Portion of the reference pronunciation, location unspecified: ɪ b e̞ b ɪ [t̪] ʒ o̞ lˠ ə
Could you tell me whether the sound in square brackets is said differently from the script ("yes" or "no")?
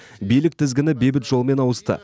no